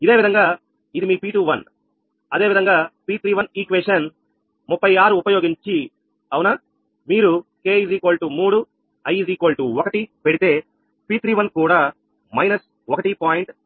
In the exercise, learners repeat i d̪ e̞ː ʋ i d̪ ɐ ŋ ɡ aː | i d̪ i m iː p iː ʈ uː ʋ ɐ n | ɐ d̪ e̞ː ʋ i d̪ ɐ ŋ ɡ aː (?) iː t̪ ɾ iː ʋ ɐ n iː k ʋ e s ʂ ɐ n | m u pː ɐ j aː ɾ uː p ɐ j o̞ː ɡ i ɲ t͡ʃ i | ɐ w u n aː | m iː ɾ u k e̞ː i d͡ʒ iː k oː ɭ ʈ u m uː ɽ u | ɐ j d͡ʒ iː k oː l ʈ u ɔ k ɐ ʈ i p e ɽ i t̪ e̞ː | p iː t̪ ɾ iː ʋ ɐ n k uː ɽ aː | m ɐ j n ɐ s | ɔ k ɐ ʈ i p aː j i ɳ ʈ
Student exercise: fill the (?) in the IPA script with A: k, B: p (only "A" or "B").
B